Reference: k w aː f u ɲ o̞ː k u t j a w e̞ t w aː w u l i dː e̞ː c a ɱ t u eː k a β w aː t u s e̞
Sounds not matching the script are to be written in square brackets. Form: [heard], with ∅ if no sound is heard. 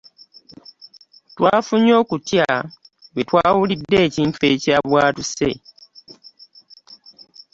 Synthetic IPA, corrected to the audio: [t] w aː f u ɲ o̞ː k u t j a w e̞ t w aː w u l i dː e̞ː c [i] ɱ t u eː [c] a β w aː t u s e̞